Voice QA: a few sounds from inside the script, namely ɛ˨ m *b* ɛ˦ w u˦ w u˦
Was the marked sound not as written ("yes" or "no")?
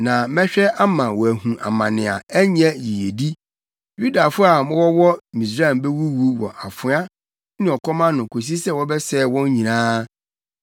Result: no